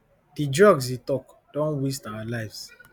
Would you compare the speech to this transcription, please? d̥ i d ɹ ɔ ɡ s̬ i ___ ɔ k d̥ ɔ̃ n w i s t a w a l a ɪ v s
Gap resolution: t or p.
t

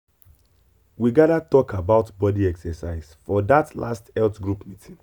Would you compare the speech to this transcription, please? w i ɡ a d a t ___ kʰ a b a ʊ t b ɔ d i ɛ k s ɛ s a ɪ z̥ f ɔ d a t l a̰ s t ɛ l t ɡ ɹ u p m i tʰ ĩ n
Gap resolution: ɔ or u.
ɔ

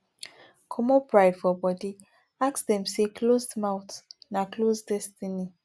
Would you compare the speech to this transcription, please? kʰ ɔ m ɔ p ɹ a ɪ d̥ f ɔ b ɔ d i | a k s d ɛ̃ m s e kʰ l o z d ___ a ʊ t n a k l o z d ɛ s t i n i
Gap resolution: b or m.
m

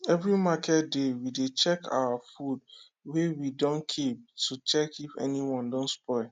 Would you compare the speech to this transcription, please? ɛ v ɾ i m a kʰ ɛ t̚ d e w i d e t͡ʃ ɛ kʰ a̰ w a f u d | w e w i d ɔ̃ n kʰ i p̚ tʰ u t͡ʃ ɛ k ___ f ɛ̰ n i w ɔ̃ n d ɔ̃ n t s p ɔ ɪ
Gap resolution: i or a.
i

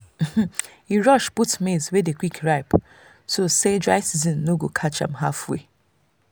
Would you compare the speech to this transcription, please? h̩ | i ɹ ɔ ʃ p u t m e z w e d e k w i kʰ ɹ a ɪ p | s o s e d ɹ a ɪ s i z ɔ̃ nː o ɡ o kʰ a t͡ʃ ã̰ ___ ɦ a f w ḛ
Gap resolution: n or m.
m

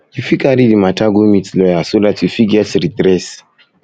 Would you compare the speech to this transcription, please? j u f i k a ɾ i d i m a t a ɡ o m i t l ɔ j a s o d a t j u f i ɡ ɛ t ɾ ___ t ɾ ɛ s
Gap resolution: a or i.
i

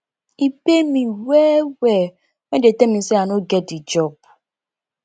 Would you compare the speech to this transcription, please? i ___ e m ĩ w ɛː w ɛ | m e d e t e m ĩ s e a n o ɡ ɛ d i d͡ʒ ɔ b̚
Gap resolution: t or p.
p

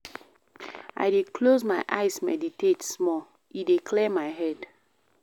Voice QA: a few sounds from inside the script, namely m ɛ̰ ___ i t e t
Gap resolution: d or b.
d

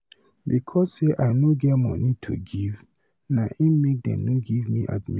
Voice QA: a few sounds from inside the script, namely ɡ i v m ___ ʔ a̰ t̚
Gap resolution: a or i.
i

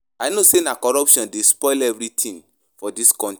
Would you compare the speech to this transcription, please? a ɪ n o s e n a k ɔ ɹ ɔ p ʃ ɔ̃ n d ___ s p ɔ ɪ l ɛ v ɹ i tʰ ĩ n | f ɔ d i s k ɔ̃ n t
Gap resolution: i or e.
e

